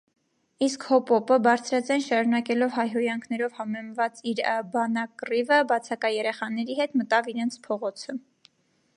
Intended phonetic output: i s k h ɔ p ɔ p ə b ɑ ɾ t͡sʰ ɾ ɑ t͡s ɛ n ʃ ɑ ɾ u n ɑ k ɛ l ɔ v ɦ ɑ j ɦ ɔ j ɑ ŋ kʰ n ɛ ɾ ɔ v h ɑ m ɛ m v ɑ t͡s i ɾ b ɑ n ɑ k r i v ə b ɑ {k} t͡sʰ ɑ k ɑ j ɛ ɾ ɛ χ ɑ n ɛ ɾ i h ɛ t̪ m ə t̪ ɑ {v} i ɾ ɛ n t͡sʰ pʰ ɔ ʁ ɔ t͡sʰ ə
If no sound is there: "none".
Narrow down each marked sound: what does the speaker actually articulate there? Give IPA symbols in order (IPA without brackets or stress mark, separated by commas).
none, v